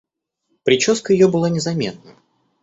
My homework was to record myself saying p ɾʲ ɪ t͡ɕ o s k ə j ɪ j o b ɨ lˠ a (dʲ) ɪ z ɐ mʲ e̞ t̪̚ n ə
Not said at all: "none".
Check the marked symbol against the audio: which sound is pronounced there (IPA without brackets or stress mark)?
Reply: nʲ